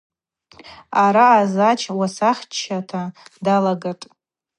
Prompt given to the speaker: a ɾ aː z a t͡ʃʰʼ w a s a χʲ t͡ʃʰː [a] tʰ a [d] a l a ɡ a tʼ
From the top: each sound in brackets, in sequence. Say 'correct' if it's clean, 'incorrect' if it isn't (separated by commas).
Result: correct, correct